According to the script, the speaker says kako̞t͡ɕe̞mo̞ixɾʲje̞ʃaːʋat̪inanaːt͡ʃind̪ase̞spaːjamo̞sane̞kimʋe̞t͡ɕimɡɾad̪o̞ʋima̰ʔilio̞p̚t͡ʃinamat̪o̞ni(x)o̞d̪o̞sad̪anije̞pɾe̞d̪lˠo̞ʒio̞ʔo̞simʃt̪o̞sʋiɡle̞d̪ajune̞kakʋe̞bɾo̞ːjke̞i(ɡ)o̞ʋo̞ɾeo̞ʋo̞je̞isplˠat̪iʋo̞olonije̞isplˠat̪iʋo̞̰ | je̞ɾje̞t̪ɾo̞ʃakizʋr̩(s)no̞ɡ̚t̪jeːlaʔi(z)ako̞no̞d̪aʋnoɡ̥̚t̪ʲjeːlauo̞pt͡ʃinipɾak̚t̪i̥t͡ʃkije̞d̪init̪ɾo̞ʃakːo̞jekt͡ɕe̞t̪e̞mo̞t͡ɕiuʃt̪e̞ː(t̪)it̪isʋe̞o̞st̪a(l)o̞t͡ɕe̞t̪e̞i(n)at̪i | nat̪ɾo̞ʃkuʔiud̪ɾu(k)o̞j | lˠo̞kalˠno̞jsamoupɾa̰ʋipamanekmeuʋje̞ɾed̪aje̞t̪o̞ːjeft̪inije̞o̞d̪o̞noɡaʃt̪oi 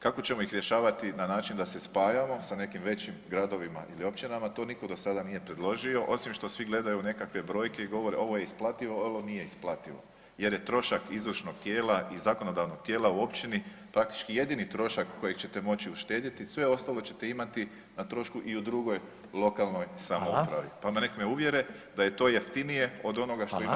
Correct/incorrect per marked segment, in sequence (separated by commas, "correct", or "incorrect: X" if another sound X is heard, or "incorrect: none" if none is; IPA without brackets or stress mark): incorrect: k, correct, incorrect: ʃ, correct, incorrect: d̪, correct, incorrect: m, incorrect: ɡ